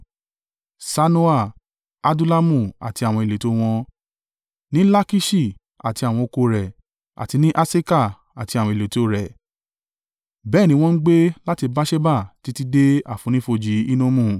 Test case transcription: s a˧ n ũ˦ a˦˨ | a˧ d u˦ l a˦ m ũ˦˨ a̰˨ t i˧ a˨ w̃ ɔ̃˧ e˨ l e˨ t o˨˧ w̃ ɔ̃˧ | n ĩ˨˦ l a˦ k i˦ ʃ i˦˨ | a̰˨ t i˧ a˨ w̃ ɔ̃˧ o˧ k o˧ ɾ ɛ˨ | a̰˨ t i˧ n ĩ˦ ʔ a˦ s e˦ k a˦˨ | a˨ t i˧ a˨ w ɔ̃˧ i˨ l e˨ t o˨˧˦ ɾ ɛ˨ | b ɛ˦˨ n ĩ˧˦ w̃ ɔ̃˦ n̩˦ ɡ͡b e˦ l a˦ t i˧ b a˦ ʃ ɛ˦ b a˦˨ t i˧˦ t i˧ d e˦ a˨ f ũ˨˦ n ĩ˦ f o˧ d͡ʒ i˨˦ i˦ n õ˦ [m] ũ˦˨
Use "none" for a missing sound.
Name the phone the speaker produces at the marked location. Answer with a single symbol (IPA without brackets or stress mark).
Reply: m